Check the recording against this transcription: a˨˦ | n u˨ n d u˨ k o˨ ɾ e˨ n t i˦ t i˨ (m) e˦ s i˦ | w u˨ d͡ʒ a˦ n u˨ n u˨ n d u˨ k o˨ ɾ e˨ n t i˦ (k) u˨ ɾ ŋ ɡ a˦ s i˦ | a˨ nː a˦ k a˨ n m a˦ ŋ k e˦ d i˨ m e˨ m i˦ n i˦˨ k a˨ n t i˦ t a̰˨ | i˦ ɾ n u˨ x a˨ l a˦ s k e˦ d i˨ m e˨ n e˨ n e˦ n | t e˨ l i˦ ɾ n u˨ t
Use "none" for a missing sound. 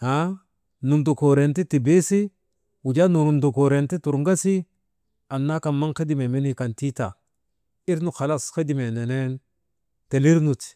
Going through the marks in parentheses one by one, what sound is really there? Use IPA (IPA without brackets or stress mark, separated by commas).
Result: b, t